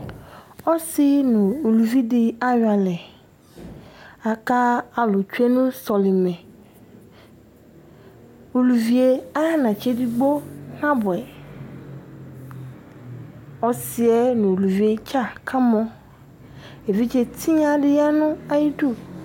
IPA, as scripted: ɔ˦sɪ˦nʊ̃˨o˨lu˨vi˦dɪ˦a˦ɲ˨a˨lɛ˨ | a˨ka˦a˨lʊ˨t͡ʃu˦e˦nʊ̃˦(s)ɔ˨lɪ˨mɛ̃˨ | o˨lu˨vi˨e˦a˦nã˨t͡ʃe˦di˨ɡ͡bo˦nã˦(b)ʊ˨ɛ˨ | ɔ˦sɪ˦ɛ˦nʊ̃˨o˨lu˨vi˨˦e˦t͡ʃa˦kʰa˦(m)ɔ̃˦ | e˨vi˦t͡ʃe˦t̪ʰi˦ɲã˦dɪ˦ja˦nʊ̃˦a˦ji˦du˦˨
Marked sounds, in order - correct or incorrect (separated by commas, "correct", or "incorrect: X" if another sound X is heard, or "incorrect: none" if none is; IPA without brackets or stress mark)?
correct, correct, correct